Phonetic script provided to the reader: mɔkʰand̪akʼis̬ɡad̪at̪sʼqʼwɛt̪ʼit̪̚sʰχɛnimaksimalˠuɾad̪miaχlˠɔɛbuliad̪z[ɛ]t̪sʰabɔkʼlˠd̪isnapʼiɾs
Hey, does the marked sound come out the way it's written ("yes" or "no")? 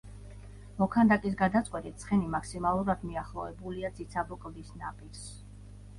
no